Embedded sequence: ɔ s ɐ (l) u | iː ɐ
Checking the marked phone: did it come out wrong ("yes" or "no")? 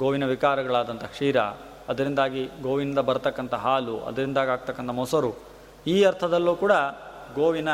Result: yes